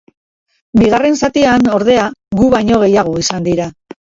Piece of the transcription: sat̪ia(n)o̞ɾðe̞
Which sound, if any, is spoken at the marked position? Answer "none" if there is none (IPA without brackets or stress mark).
n